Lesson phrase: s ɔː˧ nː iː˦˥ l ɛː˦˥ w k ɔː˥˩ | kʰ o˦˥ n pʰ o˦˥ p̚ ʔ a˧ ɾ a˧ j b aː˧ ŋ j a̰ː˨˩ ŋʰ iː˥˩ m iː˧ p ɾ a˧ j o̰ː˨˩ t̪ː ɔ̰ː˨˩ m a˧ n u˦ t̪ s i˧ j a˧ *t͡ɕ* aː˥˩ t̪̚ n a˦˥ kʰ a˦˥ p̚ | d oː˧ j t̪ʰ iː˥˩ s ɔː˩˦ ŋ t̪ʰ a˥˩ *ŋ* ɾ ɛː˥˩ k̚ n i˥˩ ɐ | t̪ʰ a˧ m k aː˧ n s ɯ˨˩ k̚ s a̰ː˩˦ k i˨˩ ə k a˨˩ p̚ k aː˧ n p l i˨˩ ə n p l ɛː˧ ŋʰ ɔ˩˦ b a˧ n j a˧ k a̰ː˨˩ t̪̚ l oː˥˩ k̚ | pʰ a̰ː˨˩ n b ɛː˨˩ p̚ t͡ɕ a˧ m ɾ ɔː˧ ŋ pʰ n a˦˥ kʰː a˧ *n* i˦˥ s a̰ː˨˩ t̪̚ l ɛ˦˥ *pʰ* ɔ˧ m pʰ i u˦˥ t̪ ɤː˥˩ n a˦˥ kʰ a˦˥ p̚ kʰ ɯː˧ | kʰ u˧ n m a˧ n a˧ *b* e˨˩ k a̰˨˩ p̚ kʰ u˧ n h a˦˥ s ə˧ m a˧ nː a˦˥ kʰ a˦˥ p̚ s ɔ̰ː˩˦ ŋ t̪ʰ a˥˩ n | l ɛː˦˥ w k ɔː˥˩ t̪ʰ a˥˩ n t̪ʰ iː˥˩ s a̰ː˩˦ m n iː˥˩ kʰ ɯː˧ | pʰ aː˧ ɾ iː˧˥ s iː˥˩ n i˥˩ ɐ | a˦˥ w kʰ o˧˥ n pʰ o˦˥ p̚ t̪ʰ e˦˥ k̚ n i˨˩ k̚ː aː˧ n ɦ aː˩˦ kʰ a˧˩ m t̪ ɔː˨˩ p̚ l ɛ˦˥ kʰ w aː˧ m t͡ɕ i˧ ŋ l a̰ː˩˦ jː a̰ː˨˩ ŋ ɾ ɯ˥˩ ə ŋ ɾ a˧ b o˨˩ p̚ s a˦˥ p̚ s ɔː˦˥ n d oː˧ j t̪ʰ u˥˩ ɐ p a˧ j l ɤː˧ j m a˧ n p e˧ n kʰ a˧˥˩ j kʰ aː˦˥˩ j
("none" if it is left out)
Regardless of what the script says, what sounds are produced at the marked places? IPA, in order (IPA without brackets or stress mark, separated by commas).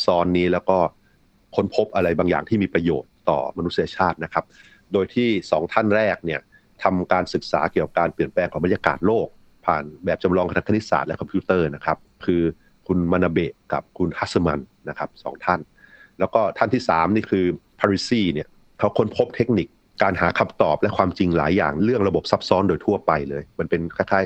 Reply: t͡ɕʰ, n, n, kʰ, b